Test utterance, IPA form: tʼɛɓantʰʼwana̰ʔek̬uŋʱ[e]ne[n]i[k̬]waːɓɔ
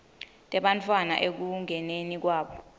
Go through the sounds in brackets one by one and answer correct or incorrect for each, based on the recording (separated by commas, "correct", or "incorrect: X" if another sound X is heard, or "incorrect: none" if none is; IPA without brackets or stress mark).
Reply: incorrect: ɛ, correct, correct